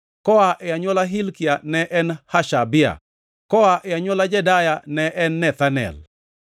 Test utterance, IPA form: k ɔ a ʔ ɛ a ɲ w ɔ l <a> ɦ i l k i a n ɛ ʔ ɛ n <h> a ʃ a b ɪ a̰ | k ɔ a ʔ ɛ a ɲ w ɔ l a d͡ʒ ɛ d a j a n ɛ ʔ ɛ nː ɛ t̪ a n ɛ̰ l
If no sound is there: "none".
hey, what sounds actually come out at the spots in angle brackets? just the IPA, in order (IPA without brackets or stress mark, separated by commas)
a, h